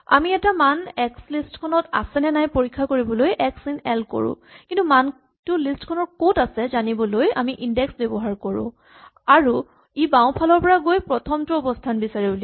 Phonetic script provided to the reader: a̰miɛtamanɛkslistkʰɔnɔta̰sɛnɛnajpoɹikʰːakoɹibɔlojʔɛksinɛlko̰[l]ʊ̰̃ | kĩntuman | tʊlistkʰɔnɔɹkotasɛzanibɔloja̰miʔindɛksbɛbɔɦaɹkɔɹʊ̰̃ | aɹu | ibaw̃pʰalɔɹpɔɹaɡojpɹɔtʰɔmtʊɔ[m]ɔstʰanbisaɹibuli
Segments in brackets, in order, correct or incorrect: incorrect, incorrect

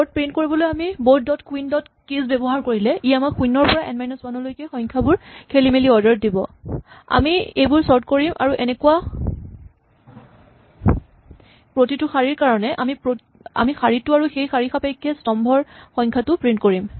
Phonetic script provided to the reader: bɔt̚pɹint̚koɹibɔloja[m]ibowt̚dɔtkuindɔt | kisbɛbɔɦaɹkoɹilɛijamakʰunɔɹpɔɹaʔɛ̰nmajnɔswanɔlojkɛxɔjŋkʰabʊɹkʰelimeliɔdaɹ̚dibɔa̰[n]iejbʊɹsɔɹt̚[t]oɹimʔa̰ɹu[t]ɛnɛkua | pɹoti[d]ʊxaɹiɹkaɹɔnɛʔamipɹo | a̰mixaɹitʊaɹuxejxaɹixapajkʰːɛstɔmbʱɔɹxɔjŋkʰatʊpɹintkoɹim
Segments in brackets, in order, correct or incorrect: correct, incorrect, incorrect, incorrect, incorrect

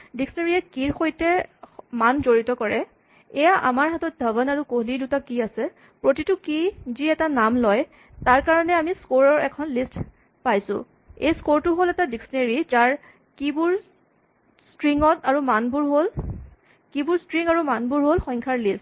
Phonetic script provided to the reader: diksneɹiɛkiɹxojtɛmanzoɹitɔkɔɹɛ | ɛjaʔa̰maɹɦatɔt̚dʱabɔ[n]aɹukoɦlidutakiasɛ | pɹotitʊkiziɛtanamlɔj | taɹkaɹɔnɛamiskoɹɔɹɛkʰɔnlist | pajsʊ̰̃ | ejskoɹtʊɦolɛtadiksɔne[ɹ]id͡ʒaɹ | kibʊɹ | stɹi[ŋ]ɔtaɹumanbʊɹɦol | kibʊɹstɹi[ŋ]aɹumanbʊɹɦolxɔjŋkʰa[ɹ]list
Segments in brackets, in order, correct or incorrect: correct, correct, correct, correct, correct

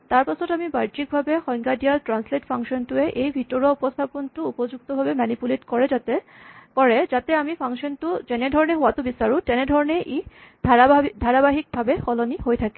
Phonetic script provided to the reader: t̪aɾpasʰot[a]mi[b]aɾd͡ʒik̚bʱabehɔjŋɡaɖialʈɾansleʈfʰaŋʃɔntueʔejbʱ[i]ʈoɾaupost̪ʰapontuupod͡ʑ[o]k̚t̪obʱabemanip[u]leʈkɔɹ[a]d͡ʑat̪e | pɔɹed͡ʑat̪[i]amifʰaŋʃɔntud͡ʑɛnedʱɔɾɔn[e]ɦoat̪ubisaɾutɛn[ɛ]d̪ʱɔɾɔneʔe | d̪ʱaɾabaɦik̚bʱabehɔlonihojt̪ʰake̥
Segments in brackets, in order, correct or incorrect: correct, correct, correct, incorrect, correct, incorrect, incorrect, correct, incorrect

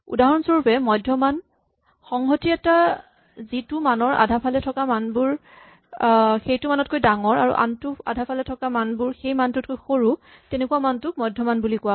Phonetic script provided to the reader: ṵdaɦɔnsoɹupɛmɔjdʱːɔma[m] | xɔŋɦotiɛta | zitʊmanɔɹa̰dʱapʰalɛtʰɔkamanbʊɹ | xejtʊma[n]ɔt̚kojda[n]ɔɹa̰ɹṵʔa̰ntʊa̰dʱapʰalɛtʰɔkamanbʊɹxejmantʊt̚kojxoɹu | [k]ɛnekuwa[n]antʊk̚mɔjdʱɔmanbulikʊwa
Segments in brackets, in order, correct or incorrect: incorrect, correct, incorrect, incorrect, incorrect

